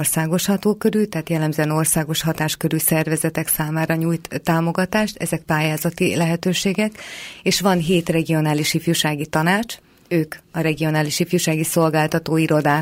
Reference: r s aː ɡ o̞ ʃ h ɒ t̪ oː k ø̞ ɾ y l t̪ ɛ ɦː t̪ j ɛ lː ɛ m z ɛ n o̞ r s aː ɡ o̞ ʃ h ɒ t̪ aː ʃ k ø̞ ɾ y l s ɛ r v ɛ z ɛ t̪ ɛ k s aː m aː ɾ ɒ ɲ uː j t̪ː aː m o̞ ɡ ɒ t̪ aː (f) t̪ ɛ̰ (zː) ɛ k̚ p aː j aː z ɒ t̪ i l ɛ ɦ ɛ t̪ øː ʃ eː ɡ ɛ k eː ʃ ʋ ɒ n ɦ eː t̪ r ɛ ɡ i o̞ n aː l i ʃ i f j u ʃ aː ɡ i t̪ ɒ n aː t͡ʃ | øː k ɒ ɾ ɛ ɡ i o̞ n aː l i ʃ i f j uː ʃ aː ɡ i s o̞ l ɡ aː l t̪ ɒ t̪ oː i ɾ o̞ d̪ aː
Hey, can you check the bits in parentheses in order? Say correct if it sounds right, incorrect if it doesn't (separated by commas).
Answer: incorrect, incorrect